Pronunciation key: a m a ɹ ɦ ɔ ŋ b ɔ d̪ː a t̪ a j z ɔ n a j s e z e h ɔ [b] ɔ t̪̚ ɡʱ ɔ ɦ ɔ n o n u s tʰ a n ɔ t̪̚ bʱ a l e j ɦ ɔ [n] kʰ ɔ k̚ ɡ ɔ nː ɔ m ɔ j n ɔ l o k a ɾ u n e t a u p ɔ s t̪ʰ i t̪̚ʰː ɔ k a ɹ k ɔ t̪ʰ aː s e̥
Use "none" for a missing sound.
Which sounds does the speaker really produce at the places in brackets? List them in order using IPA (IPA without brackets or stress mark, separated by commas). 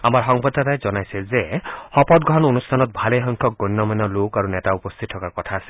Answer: p, ŋ